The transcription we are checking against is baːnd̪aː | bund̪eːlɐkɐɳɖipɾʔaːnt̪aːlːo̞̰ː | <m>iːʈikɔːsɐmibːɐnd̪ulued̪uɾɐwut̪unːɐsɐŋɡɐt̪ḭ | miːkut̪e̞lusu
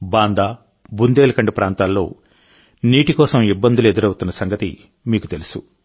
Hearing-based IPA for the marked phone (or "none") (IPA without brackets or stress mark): n